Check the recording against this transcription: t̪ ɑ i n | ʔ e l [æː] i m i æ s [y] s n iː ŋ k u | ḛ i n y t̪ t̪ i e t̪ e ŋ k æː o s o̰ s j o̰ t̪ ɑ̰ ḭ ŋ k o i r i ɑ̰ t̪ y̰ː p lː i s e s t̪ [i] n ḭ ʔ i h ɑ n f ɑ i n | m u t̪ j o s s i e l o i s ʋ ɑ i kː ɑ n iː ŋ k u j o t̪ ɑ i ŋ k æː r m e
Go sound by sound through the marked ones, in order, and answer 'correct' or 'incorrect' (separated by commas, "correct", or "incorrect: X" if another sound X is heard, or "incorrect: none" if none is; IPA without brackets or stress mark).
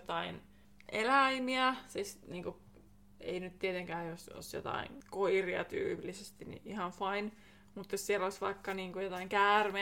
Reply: incorrect: æ, incorrect: i, correct